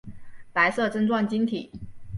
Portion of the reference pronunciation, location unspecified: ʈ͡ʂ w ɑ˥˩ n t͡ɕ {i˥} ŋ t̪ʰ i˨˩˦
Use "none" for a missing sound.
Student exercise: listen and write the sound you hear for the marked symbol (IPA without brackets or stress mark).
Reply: i˥